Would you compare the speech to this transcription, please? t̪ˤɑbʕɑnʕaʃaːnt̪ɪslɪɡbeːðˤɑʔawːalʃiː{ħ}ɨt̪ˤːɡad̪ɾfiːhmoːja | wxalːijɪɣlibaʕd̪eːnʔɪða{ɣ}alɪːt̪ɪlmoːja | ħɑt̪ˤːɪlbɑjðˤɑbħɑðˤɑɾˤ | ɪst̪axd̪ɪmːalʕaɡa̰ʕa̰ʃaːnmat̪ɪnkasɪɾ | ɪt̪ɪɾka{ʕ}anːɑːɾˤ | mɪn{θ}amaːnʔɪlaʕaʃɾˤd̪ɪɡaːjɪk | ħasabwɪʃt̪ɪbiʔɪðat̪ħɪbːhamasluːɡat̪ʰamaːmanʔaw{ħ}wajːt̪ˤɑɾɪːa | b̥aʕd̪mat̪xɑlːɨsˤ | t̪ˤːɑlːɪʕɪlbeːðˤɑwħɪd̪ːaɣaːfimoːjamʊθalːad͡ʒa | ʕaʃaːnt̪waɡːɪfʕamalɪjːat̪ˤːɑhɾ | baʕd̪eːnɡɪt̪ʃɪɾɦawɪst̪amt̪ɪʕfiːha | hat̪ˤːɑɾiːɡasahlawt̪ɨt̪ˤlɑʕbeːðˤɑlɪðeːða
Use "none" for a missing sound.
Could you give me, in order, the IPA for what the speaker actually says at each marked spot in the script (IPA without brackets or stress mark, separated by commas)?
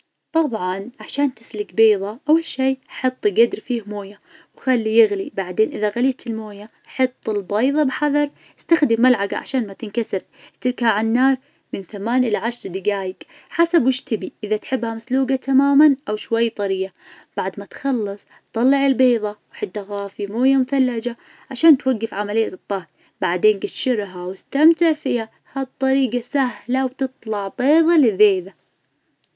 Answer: ħ, ɣ, ʕ, θ, ʃ